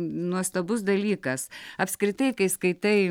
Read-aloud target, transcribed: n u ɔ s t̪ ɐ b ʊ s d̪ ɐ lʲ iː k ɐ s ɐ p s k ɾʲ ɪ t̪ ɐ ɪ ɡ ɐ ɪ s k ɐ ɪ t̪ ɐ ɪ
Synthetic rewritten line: n u ɔ s t̪ ɐ b ʊ s d̪ ɐ lʲ iː k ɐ s ɐ p s k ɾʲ ɪ t̪ ɐ ɪ k ɐ ɪ s k ɐ ɪ t̪ ɐ ɪ

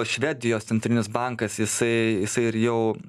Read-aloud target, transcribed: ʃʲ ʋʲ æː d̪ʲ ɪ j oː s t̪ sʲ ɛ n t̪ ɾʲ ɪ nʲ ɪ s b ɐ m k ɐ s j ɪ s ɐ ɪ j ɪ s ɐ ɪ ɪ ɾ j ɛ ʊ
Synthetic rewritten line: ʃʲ ʋʲ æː d̪ʲ ɪ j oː s t̪ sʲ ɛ n t̪ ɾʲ ɪ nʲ ɪ s b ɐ ŋ k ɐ s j ɪ s ɐ ɪ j ɪ s ɐ ɪ ɪ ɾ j ɛ ʊ

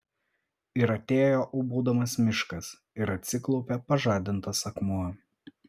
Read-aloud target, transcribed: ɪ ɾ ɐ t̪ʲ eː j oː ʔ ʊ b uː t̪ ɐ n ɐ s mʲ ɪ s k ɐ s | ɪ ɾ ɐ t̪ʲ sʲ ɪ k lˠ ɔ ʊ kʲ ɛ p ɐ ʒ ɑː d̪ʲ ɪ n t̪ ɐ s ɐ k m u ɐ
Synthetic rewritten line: ɪ ɾ ɐ t̪ʲ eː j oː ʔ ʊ b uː d̪ ɐ m ɐ s mʲ ɪ ʃ k ɐ s | ɪ ɾ ɐ t̪ʲ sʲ ɪ k lˠ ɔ ʊ pʲ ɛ p ɐ ʒ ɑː d̪ʲ ɪ n t̪ ɐ s ɐ k m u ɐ

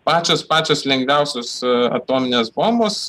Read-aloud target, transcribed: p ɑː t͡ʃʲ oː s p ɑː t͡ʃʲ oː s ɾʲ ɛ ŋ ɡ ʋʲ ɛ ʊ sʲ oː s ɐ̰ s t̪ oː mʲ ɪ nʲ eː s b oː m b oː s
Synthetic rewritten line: p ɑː t͡ʃʲ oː s p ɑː t͡ʃʲ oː s lʲ ɛ ŋ ɡ ʋʲ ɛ ʊ sʲ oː s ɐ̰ t̪ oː mʲ ɪ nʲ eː s b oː m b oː s

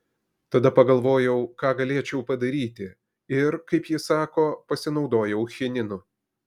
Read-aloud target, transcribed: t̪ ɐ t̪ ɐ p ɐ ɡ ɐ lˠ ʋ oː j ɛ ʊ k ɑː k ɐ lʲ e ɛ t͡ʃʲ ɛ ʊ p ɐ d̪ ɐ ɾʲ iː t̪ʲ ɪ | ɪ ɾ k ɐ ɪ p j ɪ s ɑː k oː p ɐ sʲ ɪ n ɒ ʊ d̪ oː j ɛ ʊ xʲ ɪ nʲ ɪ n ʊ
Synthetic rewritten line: t̪ ɐ d̪ ɐ p ɐ ɡ ɐ lˠ ʋ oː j ɛ ʊ k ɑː ɡ ɐ lʲ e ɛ t͡ʃʲ ɛ ʊ p ɐ d̪ ɐ ɾʲ iː t̪ʲ ɪ | ɪ ɾ k ɐ ɪ p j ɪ s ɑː k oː p ɐ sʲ ɪ n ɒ ʊ d̪ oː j ɛ ʊ xʲ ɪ nʲ ɪ n ʊ

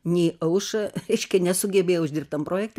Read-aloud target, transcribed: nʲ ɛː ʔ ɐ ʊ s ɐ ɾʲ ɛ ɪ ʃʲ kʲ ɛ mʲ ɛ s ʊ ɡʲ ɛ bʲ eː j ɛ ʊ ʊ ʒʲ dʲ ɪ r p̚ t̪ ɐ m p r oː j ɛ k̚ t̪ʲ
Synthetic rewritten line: nʲ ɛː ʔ ɐ ʊ ʃ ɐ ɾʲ ɛ ɪ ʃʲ kʲ ɛ nʲ ɛ s ʊ ɡʲ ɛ bʲ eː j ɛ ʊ ʊ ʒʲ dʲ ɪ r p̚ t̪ ɐ m p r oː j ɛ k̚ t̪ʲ

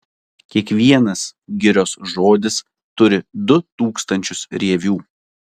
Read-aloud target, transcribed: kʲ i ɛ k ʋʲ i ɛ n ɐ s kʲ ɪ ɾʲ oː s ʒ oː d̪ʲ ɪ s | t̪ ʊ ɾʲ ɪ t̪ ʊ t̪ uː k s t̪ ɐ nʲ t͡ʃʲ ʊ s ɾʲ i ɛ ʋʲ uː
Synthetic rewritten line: kʲ i ɛ k ʋʲ i ɛ n ɐ s ɡʲ ɪ ɾʲ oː s ʒ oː d̪ʲ ɪ s | t̪ ʊ ɾʲ ɪ d̪ ʊ t̪ uː k s t̪ ɐ nʲ t͡ʃʲ ʊ s ɾʲ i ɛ ʋʲ uː

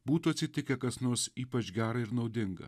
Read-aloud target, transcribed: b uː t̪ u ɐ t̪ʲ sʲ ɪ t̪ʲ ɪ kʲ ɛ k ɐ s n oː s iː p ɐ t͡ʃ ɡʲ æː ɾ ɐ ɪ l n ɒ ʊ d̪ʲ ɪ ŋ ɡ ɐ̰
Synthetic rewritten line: b uː t̪ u ɐ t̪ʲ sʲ ɪ t̪ʲ ɪ kʲ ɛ k ɐ s n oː s iː p ɐ t͡ʃ ɡʲ æː ɾ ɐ ɪ ɾ n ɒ ʊ d̪ʲ ɪ ŋ ɡ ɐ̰

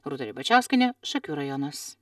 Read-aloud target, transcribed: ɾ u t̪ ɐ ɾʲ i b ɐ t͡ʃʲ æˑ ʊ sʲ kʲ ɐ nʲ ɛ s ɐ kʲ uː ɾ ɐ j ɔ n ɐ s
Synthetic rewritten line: ɾ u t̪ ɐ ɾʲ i b ɐ t͡ʃʲ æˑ ʊ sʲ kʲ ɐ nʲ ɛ ʃ ɐ kʲ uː ɾ ɐ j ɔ n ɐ s

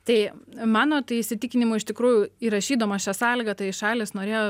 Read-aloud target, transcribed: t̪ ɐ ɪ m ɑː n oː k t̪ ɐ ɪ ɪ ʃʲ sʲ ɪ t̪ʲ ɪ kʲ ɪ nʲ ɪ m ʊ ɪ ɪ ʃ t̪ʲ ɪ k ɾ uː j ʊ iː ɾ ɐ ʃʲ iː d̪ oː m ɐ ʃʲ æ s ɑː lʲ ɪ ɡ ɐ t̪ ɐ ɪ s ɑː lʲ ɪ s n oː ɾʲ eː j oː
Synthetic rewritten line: t̪ ɐ ɪ m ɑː n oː t̪ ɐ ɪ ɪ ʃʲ sʲ ɪ t̪ʲ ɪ kʲ ɪ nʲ ɪ m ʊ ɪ ɪ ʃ t̪ʲ ɪ k ɾ uː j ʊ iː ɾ ɐ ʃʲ iː d̪ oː m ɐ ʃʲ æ s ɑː lʲ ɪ ɡ ɐ t̪ ɐ ɪ ʃ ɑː lʲ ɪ s n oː ɾʲ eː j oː

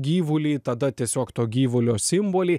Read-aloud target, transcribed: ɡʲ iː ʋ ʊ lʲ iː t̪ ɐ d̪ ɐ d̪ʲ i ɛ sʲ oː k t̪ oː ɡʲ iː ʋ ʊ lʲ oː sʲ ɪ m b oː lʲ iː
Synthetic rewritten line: ɡʲ iː ʋ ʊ lʲ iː t̪ ɐ d̪ ɐ t̪ʲ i ɛ sʲ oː k t̪ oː ɡʲ iː ʋ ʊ lʲ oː sʲ ɪ m b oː lʲ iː

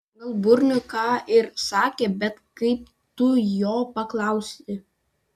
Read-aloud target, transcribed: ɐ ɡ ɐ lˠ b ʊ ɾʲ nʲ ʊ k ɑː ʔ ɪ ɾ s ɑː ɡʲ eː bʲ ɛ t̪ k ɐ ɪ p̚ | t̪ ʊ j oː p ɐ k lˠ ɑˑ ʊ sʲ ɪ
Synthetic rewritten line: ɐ ɡ ɐ lˠ b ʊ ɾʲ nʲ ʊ k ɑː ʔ ɪ ɾ s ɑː kʲ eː bʲ ɛ t̪ k ɐ ɪ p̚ | t̪ ʊ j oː p ɐ k lˠ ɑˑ ʊ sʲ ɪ

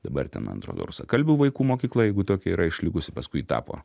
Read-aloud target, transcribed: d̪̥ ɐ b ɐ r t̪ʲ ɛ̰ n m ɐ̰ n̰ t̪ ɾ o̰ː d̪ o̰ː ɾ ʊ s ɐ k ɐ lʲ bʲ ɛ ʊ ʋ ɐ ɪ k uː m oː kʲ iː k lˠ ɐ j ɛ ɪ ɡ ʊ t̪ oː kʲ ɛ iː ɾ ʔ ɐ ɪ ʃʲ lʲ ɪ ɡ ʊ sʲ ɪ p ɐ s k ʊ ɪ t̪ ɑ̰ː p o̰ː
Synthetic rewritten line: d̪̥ ɐ b ɐ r t̪ʲ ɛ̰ n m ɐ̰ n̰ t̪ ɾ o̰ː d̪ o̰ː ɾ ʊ s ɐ k ɐ lʲ bʲ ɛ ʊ ʋ ɐ ɪ k uː m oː kʲ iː k lˠ ɐ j ɛ ɪ ɡ ʊ t̪ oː kʲ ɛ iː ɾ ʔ ɐ ɪ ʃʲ lʲ ɪ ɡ ʊ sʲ ɪ p ɐ s k ʊ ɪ t̪ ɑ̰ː p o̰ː

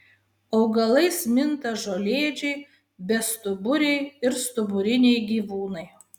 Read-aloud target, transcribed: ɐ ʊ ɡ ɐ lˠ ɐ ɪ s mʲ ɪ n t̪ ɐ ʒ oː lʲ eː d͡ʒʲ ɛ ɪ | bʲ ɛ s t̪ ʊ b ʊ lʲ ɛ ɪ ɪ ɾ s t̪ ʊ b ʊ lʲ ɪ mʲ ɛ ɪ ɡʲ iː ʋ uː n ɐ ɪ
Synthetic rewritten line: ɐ ʊ ɡ ɐ lˠ ɐ ɪ s mʲ ɪ n t̪ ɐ ʒ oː lʲ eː d͡ʒʲ ɛ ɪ | bʲ ɛ s t̪ ʊ b ʊ ɾʲ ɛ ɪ ɪ ɾ s t̪ ʊ b ʊ ɾʲ ɪ nʲ ɛ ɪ ɡʲ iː ʋ uː n ɐ ɪ

